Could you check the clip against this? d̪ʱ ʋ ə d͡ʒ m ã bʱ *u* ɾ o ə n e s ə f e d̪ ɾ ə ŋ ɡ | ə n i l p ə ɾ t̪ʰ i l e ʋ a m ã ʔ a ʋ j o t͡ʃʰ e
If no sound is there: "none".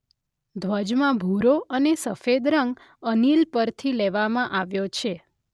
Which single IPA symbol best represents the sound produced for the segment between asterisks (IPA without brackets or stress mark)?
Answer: u